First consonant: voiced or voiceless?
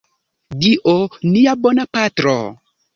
voiced